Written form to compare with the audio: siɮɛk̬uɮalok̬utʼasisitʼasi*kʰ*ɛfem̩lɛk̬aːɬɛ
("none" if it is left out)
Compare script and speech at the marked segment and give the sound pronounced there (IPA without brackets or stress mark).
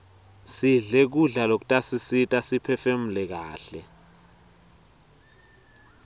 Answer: pʰ